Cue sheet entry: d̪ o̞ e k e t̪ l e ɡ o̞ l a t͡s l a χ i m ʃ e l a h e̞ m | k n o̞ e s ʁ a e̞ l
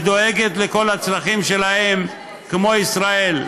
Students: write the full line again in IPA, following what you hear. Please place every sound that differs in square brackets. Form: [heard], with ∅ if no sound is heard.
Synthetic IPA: d̪ o̞ e [ɡ] e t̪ l e [k] o̞ l a t͡s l a χ i m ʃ e l a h e̞ m | k [m] o̞ [i] s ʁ a e̞ l